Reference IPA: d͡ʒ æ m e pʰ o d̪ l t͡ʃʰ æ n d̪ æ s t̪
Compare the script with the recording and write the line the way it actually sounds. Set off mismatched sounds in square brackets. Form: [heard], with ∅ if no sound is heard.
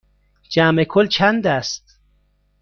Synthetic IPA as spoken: d͡ʒ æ m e [kʰ] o [∅] l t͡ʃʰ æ n d̪ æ s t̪